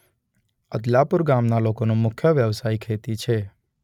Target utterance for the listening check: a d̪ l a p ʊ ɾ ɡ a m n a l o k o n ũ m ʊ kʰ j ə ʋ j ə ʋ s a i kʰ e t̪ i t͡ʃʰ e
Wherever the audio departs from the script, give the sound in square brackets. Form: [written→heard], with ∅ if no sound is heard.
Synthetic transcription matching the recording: [a→ə] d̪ l a p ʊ ɾ ɡ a m n a l o k o n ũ m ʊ kʰ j ə ʋ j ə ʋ s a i kʰ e t̪ i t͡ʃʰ e